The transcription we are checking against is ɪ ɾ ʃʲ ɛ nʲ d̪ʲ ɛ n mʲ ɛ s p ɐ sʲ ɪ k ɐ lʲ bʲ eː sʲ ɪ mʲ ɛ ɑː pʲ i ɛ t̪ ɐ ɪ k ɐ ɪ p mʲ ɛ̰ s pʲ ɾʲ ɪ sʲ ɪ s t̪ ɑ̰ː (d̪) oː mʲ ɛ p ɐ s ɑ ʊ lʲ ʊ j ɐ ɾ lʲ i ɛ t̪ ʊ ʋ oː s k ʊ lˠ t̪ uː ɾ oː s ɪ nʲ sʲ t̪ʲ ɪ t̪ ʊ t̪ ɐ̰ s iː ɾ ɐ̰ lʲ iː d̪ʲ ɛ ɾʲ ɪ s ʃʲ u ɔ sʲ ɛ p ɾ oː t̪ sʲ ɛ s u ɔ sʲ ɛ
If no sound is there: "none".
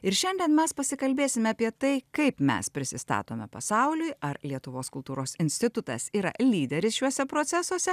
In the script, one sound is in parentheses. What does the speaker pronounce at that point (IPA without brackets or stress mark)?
t̪